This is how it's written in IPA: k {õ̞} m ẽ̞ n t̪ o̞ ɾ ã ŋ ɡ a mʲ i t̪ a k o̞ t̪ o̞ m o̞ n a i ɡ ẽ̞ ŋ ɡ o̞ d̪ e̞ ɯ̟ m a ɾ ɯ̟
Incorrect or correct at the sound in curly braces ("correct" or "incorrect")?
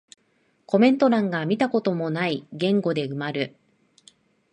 incorrect